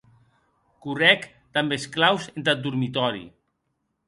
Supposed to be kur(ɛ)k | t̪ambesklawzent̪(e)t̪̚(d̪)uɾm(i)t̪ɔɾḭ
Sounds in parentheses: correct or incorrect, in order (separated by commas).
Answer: correct, incorrect, correct, correct